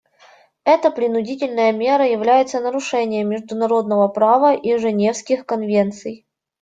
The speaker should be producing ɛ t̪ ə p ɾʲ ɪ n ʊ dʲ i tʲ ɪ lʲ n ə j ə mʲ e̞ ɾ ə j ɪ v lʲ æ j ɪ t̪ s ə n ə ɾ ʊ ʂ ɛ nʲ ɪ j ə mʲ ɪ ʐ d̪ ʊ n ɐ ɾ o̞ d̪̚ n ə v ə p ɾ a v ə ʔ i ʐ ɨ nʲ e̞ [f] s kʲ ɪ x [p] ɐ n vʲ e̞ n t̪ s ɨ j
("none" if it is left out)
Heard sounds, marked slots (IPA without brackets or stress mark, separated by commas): f, k